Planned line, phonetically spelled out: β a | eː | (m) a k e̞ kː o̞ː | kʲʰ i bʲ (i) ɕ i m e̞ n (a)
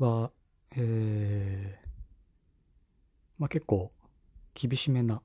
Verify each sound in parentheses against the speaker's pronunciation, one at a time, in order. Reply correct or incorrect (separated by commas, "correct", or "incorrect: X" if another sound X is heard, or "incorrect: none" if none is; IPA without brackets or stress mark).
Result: correct, correct, correct